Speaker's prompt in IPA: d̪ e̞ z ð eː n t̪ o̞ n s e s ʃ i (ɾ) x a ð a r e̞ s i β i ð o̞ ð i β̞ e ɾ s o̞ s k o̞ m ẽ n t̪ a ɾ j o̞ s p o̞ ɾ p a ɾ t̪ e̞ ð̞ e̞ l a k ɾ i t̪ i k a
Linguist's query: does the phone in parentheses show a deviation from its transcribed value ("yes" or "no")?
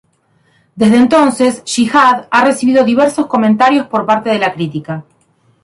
yes